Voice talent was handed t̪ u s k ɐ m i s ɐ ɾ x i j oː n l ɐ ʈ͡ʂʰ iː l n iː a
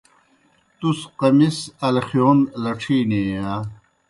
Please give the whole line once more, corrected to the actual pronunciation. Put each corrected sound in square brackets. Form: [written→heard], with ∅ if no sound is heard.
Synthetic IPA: t̪ u s [k→q] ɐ m i s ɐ [ɾ→l] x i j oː n l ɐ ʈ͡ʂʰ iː [l→∅] n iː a